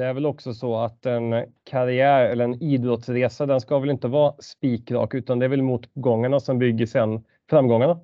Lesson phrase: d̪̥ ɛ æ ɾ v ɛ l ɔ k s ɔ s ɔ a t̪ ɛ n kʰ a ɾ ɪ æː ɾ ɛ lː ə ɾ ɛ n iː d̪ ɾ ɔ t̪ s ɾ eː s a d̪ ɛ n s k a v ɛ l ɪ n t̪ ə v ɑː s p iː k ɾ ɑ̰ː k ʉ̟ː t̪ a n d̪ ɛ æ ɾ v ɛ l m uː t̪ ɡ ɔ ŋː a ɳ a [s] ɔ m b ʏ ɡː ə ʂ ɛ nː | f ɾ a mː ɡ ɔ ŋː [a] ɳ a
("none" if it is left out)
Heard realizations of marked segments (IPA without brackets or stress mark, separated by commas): s, a